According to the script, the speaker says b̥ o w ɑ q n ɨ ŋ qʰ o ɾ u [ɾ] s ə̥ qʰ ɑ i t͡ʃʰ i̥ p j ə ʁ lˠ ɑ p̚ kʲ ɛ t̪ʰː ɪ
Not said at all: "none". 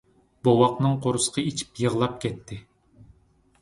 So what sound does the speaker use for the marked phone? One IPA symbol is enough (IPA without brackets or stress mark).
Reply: none